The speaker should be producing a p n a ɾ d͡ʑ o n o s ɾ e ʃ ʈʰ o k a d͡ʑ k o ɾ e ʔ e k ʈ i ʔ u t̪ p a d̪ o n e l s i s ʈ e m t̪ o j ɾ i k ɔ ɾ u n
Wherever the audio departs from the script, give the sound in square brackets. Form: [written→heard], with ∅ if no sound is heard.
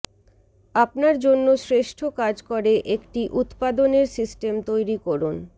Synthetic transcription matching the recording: a p n a ɾ d͡ʑ o [n→nː] o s ɾ e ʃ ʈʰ o k a d͡ʑ k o ɾ e ʔ e k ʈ i ʔ u t̪ p a d̪ o n e [l→ɾ] s i s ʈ e m t̪ o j ɾ i k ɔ ɾ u n